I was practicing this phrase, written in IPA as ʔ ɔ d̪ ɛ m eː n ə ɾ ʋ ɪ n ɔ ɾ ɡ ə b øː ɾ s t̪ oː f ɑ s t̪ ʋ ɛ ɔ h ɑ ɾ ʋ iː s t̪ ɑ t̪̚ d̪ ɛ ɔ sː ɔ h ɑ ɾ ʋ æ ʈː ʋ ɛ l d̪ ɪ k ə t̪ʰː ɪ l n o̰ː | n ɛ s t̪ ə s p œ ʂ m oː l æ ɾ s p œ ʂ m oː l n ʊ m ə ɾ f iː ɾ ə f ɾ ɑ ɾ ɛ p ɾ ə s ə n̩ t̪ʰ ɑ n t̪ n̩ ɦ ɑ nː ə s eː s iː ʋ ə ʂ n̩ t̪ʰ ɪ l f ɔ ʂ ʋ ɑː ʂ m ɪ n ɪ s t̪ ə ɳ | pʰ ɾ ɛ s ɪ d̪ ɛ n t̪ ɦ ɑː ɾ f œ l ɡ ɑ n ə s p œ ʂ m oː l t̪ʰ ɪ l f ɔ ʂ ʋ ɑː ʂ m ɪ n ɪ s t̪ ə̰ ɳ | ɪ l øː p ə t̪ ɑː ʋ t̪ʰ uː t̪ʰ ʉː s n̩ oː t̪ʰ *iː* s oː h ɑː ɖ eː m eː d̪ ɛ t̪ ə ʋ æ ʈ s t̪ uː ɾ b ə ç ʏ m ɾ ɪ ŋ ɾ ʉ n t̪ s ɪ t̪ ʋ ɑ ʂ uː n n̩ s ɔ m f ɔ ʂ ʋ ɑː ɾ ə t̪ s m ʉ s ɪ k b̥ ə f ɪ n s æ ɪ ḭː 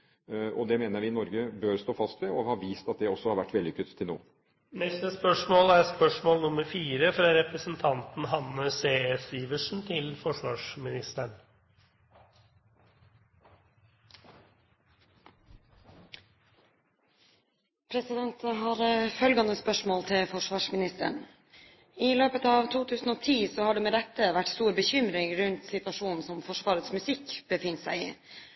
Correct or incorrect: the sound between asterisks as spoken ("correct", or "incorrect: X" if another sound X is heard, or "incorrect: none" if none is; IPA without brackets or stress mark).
correct